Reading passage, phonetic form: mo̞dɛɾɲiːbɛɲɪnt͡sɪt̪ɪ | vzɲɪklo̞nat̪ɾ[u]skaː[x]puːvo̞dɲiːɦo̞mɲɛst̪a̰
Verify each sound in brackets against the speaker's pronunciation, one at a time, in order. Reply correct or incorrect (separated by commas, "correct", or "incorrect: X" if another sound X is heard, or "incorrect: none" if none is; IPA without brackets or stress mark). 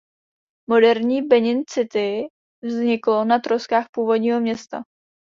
incorrect: o, correct